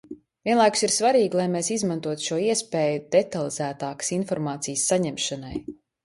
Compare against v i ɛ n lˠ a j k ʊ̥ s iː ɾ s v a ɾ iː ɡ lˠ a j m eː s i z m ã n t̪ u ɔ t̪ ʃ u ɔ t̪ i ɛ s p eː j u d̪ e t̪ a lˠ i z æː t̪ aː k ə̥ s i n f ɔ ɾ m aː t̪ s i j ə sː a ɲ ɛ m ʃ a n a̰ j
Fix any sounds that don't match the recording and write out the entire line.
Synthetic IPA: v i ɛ n lˠ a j k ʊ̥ s i ɾ s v a ɾ iː ɡ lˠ a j m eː s i z m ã n t̪ u ɔ t̪ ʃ u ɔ i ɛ s p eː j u d̪ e t̪ a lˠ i z æː t̪ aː k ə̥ s i n f ɔ ɾ m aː t̪ s i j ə sː a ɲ ɛ m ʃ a n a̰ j